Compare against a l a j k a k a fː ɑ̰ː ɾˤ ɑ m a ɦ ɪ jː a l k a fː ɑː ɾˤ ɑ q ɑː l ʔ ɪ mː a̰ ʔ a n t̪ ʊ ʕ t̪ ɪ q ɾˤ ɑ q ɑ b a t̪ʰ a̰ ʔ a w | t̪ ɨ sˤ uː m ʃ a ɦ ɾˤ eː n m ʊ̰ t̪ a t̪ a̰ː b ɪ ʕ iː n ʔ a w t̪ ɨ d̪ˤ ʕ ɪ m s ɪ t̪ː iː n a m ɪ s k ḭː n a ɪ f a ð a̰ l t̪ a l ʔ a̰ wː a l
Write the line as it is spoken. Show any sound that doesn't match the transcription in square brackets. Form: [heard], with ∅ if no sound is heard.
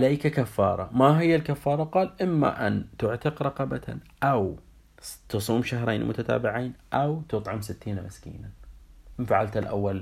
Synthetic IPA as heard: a l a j k a k a fː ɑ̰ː ɾˤ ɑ m a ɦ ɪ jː a l k a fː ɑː ɾˤ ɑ q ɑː l ʔ ɪ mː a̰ ʔ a n t̪ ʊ ʕ t̪ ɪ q ɾˤ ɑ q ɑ b a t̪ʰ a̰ ʔ a w | t̪ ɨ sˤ uː m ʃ a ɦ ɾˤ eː n m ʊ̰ t̪ a t̪ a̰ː b ɪ ʕ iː n ʔ a w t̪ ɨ [t̪ˤ] ʕ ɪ m s ɪ t̪ː iː n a m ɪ s k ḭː n a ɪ f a [ʕ] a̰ l t̪ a l ʔ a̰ wː a l